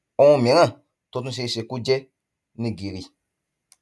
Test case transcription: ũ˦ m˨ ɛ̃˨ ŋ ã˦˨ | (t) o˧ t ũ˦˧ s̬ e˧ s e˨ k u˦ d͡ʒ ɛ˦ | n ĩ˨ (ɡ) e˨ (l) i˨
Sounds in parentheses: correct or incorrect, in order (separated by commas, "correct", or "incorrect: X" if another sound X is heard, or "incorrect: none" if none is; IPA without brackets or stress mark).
correct, correct, incorrect: ɾ